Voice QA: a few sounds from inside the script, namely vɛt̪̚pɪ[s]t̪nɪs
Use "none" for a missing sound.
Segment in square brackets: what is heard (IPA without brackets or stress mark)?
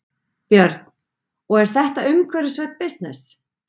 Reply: s